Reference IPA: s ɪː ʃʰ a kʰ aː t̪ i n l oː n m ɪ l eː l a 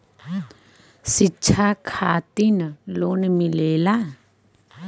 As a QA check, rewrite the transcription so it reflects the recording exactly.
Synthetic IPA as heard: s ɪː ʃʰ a kʰ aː t̪ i n l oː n m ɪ l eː l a